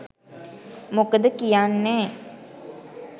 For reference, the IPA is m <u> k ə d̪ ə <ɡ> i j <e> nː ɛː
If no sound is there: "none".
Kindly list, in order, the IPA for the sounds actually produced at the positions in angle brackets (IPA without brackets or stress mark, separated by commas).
o, k, a